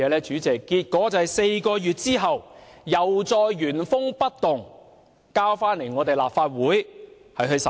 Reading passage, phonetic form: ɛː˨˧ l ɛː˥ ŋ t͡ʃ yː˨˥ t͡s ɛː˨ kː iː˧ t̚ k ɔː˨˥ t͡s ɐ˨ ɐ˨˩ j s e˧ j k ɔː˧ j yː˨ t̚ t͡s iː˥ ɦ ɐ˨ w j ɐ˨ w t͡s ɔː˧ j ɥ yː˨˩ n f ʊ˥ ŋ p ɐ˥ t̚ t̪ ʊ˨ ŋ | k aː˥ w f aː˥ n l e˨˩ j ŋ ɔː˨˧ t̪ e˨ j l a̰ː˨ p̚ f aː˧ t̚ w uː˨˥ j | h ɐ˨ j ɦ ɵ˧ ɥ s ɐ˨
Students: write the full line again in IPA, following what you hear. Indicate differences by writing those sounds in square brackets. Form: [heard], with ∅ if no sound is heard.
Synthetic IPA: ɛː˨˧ l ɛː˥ [∅] t͡ʃ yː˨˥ t͡s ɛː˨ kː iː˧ t̚ k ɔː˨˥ t͡s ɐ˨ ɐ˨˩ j s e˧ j k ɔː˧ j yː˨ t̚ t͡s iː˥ ɦ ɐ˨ w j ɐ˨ w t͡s ɔː˧ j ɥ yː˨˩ n f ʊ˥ ŋ p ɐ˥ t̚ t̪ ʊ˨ ŋ | k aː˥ w f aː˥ n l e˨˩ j ŋ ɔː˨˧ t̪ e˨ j l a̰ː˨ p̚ f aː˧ t̚ w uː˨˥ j | h ɐ˨ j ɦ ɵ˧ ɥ s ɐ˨

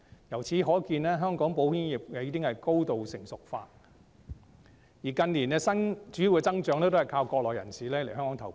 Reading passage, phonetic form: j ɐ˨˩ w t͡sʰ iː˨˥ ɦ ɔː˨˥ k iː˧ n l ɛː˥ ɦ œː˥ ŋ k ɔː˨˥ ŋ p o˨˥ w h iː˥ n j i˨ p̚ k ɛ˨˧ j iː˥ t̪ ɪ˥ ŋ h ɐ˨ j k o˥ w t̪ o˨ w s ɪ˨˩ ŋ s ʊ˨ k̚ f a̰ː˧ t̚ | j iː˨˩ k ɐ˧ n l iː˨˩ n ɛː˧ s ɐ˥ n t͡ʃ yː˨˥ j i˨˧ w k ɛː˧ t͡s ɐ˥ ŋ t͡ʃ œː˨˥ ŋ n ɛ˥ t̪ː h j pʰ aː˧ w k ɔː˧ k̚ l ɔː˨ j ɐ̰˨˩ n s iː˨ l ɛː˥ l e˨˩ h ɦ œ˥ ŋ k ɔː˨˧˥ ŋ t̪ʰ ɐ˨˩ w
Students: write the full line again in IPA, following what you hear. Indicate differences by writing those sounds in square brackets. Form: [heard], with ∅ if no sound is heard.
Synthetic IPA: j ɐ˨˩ w t͡sʰ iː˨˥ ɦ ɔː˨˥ k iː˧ n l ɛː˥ ɦ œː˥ ŋ k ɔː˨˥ ŋ p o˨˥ w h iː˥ n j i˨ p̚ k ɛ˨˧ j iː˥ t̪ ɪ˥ ŋ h ɐ˨ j k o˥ w t̪ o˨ w s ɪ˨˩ ŋ s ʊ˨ k̚ f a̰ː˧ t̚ | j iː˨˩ k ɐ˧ n l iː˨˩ n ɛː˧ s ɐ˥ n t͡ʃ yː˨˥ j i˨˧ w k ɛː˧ t͡s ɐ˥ ŋ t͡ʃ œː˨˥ ŋ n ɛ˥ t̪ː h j [kʰ] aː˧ w k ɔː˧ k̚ l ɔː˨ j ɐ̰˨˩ n s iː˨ l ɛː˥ l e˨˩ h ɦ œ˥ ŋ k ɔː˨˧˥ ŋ t̪ʰ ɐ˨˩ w

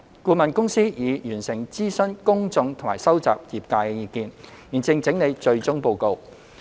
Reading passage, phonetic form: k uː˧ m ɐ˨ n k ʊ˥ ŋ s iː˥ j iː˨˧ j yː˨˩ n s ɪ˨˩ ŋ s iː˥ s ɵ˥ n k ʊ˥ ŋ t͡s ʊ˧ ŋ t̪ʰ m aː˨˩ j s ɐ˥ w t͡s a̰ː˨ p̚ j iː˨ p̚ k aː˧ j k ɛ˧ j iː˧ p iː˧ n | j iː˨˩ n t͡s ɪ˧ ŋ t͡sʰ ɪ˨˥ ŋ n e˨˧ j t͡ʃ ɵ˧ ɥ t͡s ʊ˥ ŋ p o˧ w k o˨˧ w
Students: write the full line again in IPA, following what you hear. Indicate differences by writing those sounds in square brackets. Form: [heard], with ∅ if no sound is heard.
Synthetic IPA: k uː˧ m ɐ˨ n k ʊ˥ ŋ s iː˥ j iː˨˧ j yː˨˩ n s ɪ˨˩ ŋ [t͡s] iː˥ s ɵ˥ n k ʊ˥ ŋ t͡s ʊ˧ ŋ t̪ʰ m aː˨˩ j s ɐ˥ w t͡s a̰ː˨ p̚ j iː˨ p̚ k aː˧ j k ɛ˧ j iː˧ [k] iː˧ n | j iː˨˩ n t͡s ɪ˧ ŋ [t͡s] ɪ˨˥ ŋ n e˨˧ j t͡ʃ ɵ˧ ɥ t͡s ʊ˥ ŋ p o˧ w k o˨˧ w

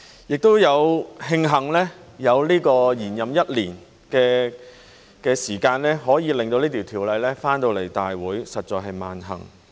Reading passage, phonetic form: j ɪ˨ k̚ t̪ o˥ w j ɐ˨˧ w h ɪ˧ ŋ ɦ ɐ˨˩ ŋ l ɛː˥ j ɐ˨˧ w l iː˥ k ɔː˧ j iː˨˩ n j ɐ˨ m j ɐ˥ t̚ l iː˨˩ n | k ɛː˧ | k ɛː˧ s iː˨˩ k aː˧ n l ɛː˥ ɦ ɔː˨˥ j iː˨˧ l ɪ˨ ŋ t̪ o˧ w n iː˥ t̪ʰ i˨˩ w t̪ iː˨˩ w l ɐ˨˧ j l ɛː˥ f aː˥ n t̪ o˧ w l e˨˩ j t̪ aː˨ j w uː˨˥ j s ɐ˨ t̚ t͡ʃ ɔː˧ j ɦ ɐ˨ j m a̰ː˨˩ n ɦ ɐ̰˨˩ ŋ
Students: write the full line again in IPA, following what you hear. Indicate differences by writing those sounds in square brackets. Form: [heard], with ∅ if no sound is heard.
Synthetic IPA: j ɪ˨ k̚ t̪ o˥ w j ɐ˨˧ w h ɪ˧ ŋ ɦ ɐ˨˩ ŋ l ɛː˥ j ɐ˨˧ w l iː˥ k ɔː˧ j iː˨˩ n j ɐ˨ m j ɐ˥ t̚ l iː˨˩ n | k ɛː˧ | k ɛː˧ s iː˨˩ k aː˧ n l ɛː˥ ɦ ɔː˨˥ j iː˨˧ l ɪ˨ ŋ t̪ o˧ w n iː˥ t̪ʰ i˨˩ w [t̪ʰ] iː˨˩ w l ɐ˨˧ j l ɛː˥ f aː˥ n t̪ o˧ w l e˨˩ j t̪ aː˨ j w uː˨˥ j s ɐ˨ t̚ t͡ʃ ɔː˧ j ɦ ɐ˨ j m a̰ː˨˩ n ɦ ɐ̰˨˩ ŋ

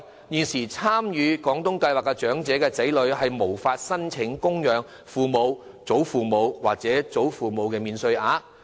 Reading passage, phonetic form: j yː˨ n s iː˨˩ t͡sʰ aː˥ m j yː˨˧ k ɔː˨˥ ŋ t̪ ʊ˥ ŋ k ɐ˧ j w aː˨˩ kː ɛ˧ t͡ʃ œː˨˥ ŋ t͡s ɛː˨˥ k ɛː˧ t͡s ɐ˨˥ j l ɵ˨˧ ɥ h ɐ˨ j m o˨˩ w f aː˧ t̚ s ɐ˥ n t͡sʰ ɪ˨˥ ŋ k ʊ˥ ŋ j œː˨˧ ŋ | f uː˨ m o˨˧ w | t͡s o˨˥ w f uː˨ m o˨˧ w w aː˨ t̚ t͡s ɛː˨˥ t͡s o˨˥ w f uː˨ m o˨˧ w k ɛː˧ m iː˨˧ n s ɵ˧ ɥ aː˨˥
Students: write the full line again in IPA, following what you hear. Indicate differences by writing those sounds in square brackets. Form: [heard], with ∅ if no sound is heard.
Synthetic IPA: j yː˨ n s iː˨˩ t͡sʰ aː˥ m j yː˨˧ k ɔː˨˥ ŋ t̪ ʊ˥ ŋ k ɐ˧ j w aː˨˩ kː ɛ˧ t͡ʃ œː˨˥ ŋ t͡s ɛː˨˥ k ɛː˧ t͡s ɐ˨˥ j l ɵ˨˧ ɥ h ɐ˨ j m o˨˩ w f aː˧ t̚ s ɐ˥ n t͡sʰ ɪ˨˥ ŋ k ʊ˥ ŋ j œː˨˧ ŋ | f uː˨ m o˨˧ w | t͡s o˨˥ w f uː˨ m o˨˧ w w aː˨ [k̚] t͡s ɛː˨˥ t͡s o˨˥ w f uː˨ m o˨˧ w k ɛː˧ m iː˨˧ n s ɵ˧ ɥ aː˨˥

